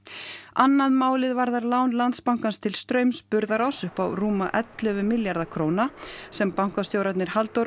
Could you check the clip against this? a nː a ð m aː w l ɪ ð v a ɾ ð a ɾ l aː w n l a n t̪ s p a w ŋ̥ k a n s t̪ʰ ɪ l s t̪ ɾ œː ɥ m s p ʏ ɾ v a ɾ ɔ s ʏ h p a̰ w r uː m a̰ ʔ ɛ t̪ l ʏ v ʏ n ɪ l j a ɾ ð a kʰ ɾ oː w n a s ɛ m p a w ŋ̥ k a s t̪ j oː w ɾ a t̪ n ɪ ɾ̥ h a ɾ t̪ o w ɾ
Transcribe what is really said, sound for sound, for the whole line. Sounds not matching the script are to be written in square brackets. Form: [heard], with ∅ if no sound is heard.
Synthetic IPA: a nː a ð m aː w l ɪ ð v a ɾ ð a ɾ l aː w n l a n t̪ s p a w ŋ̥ k a n s t̪ʰ ɪ l s t̪ ɾ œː ɥ m s p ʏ ɾ [ð] a ɾ ɔ s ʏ h p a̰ w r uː m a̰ ʔ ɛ t̪ l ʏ v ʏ [m] ɪ l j a ɾ ð a kʰ ɾ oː w n a s ɛ m p a w ŋ̥ k a s t̪ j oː w ɾ a t̪ n ɪ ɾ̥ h a [l] t̪ o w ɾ